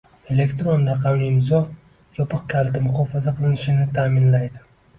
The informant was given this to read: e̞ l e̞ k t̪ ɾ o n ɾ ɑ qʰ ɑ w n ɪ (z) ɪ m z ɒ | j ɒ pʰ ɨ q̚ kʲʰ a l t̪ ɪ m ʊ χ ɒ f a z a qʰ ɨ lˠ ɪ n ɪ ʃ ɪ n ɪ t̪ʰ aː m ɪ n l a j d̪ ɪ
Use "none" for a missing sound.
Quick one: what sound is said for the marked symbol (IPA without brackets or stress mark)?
none